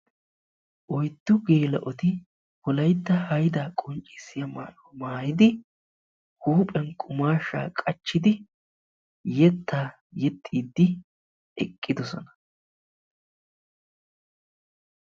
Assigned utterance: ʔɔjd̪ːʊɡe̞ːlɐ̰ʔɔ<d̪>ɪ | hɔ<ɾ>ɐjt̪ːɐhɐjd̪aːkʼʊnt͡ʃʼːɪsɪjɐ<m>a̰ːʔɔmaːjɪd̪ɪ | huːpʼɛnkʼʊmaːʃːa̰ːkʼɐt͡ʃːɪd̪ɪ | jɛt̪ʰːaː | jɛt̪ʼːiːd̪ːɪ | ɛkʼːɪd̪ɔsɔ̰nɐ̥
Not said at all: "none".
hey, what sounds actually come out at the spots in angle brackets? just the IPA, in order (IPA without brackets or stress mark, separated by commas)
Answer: t̪, l, m